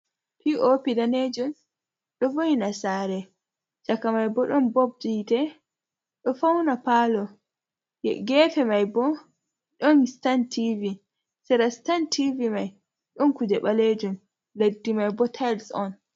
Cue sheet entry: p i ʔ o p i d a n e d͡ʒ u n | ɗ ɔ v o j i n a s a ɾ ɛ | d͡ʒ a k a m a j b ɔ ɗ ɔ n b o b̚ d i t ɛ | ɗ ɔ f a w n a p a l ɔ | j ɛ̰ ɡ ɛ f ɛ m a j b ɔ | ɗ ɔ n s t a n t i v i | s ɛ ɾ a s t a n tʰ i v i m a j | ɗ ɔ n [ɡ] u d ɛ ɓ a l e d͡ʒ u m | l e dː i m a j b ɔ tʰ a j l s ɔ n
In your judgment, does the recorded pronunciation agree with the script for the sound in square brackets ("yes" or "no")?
no